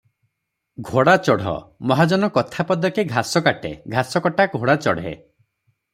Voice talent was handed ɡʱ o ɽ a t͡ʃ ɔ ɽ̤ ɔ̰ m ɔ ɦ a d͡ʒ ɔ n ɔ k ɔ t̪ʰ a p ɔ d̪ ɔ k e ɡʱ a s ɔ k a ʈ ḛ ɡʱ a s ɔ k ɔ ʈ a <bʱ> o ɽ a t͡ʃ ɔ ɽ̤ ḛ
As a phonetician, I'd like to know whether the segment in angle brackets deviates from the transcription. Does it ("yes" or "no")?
yes